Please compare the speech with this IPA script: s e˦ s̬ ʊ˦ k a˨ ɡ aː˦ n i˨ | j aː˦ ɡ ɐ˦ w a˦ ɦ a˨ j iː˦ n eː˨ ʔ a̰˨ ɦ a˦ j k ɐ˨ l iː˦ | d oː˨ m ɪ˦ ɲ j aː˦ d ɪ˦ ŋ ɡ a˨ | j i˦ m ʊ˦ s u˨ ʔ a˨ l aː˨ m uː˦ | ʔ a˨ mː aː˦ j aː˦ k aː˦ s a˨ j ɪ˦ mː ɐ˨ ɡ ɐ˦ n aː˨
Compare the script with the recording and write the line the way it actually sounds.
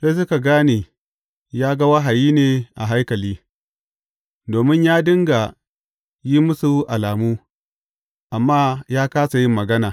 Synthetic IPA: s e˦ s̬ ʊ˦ k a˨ ɡ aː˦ n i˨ | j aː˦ ɡ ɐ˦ w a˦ ɦ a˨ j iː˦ n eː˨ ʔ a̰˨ ɦ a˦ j k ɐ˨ l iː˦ | d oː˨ m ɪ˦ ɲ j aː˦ d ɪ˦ ŋ ɡ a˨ | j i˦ m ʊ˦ s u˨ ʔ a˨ l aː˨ m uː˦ | ʔ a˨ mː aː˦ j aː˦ k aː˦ s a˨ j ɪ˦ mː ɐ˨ ɡ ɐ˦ n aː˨